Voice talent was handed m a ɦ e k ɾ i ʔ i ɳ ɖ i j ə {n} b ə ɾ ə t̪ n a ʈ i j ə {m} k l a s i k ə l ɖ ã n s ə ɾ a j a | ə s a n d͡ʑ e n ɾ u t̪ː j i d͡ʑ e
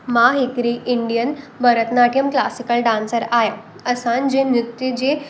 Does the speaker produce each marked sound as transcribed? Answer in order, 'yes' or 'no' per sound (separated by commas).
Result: yes, yes